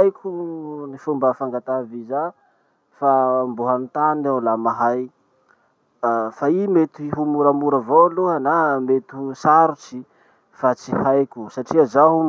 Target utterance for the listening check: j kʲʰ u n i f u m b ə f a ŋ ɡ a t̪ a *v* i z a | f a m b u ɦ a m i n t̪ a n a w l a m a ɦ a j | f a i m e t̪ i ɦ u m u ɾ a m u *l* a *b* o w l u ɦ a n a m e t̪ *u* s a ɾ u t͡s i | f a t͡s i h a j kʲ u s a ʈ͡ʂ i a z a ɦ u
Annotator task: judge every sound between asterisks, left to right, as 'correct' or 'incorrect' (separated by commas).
correct, incorrect, incorrect, correct